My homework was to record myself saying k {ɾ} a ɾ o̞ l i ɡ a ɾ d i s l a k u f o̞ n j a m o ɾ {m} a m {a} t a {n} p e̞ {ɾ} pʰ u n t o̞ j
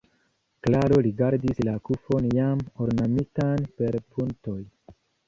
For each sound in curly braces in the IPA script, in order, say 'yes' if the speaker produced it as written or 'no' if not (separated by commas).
no, no, no, yes, yes